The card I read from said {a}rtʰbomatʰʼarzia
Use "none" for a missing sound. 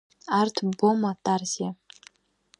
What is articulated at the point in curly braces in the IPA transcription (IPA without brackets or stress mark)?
a